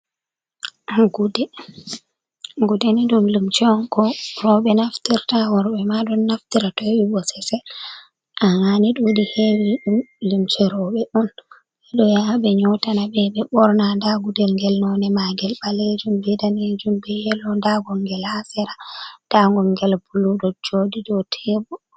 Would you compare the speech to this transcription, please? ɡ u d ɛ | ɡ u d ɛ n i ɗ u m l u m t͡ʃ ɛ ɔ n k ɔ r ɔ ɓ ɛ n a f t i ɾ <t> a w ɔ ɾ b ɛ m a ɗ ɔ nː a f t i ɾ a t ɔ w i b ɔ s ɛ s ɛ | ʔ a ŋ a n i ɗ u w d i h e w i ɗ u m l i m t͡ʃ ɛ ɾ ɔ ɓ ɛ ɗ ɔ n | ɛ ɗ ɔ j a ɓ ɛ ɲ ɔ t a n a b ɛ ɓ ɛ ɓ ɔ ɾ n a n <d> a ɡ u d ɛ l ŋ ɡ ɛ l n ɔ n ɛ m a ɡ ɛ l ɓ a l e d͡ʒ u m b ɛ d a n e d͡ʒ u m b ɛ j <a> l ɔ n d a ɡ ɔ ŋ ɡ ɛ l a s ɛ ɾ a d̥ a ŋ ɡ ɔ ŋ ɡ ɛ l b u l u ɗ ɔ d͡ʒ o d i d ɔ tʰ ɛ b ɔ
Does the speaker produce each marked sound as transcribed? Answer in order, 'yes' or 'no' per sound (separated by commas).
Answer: yes, yes, no